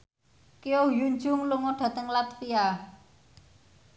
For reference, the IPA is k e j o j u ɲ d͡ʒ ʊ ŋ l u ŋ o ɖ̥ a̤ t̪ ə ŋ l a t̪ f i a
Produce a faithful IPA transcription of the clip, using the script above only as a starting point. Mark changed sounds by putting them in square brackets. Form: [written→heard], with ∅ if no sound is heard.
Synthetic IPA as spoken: k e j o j u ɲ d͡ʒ ʊ ŋ l u ŋ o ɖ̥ a̤ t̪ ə ŋ l a t̪ f i a